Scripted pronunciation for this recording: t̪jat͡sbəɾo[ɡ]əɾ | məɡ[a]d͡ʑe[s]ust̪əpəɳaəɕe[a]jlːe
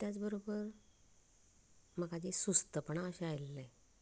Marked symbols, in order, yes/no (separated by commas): no, yes, yes, yes